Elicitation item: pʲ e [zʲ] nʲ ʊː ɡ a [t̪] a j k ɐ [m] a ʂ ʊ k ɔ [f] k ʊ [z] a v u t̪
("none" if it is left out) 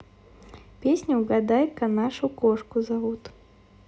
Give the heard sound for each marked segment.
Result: sʲ, d̪, n, ʂ, z

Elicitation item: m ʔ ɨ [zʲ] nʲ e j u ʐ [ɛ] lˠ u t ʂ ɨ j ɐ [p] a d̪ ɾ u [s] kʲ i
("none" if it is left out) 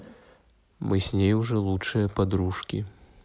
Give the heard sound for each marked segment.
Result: sʲ, ɛ, p, ʂ

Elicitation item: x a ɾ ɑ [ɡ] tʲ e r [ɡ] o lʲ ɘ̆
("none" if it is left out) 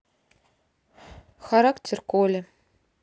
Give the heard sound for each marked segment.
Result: k, k

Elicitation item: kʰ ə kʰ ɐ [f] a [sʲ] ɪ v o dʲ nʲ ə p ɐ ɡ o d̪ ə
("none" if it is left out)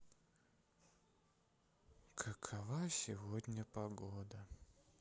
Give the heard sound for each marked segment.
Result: v, sʲ

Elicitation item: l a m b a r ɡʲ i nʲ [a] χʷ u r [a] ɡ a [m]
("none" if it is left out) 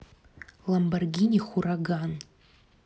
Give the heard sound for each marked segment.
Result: i, a, n

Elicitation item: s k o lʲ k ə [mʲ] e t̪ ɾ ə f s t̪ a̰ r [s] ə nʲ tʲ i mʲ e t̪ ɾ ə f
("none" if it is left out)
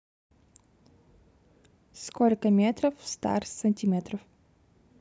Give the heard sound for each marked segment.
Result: mʲ, s

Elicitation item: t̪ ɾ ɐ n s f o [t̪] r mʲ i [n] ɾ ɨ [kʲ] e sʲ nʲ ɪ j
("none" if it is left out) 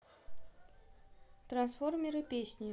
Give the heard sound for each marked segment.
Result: none, none, pʲ

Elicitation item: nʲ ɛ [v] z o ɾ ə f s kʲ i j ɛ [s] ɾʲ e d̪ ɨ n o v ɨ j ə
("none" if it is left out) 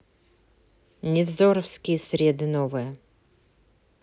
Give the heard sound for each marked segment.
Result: v, s

